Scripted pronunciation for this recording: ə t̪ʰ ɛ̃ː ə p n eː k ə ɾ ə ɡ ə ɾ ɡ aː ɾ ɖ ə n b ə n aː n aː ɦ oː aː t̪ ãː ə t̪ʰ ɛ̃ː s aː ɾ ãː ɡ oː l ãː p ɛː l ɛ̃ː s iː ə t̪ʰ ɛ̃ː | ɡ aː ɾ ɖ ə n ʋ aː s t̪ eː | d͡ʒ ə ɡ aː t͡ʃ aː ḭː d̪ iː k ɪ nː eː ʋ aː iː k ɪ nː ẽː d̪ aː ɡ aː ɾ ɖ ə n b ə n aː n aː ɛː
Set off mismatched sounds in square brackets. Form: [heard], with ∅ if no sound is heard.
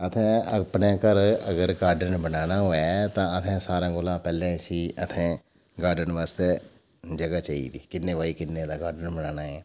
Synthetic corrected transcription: ə t̪ʰ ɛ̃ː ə p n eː k ə ɾ ə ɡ ə ɾ ɡ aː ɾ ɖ ə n b ə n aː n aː ɦ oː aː t̪ ãː ə t̪ʰ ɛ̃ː s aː ɾ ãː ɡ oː l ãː p ɛː l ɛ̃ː s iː ə t̪ʰ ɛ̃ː | ɡ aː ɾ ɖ ə n ʋ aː s t̪ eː | d͡ʒ ə ɡ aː t͡ʃ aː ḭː d̪ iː k ɪ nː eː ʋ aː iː k ɪ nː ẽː d̪ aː ɡ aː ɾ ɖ ə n b ə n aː n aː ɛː